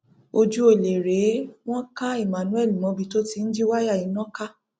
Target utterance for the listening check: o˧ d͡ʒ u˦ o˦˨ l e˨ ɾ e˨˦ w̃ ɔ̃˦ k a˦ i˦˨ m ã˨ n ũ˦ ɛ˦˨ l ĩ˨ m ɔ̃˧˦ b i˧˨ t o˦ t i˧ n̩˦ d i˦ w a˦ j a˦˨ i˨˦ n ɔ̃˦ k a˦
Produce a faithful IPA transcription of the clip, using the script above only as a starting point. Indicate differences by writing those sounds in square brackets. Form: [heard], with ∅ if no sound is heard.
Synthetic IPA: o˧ d͡ʒ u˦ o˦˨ l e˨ ɾ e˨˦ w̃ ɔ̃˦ k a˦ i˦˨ m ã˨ n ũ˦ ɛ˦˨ l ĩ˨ m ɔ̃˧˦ b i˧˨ t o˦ t i˧ n̩˦ [d͡ʒ] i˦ w a˦ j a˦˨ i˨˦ n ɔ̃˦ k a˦